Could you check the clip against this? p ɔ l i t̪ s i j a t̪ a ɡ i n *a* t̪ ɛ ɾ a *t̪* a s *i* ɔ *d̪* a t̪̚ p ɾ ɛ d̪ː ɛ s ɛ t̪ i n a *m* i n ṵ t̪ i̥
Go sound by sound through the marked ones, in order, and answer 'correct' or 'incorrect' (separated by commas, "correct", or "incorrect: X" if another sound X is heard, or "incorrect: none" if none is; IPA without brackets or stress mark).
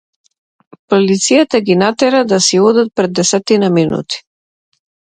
correct, incorrect: d̪, correct, correct, correct